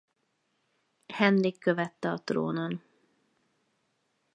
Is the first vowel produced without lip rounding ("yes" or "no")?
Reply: yes